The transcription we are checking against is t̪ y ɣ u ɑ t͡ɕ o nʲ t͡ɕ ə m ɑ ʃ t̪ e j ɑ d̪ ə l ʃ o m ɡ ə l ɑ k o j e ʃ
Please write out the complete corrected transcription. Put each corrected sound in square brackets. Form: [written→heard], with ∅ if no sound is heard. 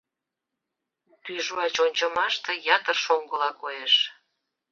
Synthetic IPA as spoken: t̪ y [ɣ→ʒ] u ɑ t͡ɕ o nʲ t͡ɕ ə m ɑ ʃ t̪ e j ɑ [d̪→t̪] ə [l→r] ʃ o [m→ŋ] ɡ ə l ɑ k o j e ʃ

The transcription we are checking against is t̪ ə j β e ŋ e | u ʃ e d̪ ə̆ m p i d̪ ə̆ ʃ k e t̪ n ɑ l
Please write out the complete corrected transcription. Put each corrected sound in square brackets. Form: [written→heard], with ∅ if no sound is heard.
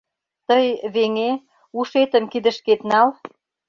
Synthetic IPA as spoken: t̪ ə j β e ŋ e | u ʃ e [d̪→t̪] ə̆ m [p→k] i d̪ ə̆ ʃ k e t̪ n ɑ l

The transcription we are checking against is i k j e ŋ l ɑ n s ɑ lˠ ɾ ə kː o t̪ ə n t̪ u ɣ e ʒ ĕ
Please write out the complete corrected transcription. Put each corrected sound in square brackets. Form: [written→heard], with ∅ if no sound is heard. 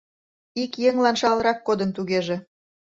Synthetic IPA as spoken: i k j e ŋ l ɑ n [s→ʃ] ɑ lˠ ɾ [ə→ɑ] kː o [t̪→d̪] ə n t̪ u ɣ e ʒ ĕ

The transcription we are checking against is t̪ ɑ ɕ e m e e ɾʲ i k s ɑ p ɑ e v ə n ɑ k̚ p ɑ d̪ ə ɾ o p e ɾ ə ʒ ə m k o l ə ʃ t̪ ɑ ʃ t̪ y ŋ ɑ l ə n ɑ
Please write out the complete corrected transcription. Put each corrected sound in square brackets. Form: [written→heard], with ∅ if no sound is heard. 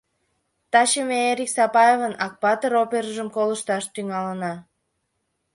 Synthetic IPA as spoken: t̪ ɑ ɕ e m e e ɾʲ i k s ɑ p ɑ e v ə n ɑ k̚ p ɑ [d̪→t̪] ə ɾ o p e ɾ ə ʒ ə m k o l ə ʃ t̪ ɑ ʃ t̪ y ŋ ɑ l ə n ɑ

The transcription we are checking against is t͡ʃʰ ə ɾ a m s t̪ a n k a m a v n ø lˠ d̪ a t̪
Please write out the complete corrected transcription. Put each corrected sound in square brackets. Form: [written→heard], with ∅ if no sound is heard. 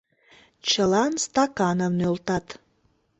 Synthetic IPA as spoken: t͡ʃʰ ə [ɾ→l] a [m→n] s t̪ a [n→∅] k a [m→n] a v n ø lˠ [d̪→t̪] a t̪

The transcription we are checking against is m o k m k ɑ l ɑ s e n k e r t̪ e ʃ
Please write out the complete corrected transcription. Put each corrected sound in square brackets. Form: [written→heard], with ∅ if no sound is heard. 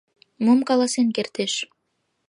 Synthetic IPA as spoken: m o [k→∅] m k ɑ l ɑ s e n k e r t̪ e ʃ

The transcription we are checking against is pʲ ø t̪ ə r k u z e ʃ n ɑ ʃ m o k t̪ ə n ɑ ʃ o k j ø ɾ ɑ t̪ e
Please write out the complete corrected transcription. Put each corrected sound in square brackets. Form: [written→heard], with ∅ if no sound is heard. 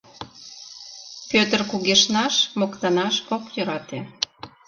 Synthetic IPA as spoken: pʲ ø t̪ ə r k u [z→ɣ] e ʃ n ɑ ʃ m o k t̪ [ə→ɑ] n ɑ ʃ o k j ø ɾ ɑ t̪ e

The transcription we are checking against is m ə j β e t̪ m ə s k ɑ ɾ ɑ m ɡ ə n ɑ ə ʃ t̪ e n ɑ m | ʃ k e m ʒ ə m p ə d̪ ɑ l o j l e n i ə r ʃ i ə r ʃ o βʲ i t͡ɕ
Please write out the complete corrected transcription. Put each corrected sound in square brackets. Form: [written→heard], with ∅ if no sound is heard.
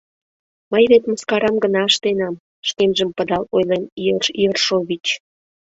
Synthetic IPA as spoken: m ə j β e t̪ m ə s k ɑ ɾ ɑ m ɡ ə n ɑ ə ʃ t̪ e n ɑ m | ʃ k e m ʒ ə m p ə d̪ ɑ l o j l e n i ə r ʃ i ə r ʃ o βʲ i t͡ɕ

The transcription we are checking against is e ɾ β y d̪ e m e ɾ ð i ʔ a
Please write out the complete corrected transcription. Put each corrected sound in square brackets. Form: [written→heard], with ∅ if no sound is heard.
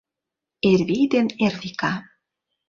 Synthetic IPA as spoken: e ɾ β [y→i] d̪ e [m→n] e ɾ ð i [ʔ→k] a

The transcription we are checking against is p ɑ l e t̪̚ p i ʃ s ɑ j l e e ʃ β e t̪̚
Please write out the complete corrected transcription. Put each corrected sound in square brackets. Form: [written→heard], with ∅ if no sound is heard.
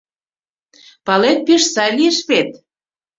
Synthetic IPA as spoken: p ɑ l e t̪̚ p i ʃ s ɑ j l [e→i] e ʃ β e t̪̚

